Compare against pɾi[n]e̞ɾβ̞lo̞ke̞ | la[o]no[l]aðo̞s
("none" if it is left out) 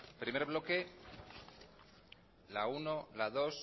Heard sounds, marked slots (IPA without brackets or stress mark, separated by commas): m, u, l